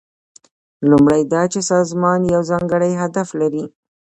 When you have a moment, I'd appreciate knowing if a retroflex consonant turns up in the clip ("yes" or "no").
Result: yes